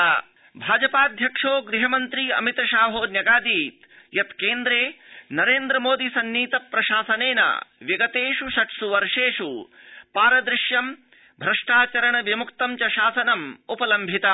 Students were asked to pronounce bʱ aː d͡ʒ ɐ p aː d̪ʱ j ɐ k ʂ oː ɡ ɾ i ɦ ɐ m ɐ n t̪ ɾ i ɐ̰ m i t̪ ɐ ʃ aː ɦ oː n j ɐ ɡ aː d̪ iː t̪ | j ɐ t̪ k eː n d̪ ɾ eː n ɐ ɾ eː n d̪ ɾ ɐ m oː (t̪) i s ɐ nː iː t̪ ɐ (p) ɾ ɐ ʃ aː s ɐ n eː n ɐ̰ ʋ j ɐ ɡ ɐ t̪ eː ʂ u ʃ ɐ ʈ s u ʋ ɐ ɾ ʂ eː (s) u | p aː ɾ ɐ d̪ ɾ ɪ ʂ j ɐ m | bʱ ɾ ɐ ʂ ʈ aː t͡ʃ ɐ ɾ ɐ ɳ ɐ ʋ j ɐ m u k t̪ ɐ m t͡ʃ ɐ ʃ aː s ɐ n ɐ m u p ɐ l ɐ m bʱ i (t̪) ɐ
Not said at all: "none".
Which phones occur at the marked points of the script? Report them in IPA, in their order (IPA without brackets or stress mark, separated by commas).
d̪, p, ʂ, t̪